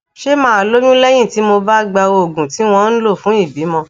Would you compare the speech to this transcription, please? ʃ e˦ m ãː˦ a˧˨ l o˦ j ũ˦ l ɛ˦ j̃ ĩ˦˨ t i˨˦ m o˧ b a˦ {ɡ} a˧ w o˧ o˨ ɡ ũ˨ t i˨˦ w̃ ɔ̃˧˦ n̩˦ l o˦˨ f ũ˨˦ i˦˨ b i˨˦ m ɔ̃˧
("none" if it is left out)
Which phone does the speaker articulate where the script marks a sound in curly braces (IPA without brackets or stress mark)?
ɡ͡b